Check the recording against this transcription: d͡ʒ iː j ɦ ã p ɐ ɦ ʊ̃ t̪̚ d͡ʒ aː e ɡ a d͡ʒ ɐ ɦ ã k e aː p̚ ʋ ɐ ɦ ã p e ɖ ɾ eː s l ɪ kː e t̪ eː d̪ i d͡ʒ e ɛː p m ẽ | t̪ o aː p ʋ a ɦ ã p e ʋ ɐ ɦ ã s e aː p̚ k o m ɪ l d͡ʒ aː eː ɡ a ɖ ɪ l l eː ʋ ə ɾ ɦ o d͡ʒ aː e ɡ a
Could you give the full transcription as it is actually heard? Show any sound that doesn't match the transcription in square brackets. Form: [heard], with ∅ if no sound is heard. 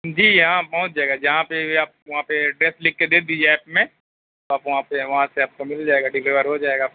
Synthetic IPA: d͡ʒ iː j ɦ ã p ɐ ɦ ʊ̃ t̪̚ d͡ʒ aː e ɡ a d͡ʒ ɐ ɦ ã [p] e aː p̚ ʋ ɐ ɦ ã p e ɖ ɾ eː s l ɪ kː e [d̪] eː d̪ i d͡ʒ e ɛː p m ẽ | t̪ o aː p ʋ [ɐ] ɦ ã p e ʋ ɐ ɦ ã s e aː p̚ k o m ɪ l d͡ʒ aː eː ɡ a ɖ ɪ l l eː ʋ ə ɾ ɦ o d͡ʒ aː e ɡ a